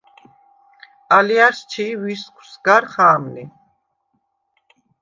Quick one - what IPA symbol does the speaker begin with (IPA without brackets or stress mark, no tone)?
a